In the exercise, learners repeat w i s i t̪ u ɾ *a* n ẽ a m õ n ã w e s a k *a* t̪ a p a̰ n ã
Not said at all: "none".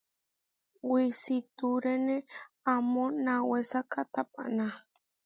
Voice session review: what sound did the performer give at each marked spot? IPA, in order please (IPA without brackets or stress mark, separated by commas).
e, a